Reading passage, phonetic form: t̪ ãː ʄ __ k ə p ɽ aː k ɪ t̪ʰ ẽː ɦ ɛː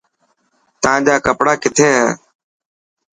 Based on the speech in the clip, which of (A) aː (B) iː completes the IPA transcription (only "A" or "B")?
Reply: A